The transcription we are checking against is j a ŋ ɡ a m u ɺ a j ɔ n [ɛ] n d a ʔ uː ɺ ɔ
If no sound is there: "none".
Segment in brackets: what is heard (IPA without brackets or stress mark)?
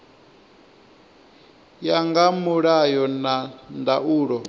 a